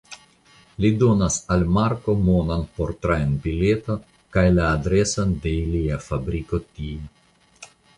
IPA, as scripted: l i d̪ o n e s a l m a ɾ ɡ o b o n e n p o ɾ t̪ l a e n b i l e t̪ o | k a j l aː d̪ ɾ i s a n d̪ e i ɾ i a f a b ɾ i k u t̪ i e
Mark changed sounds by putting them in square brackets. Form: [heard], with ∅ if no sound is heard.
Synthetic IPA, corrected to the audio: l i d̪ o n [a] s a l m a ɾ [k] o [m] o n [a] n p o ɾ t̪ [ɾ] a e n b i l e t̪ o | k a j l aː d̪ ɾ [e] s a n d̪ e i [l] i a f a b ɾ i k [o] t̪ i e